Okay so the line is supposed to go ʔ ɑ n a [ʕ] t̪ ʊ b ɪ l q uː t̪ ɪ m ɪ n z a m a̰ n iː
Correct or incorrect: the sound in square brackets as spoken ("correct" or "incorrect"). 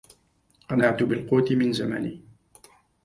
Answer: correct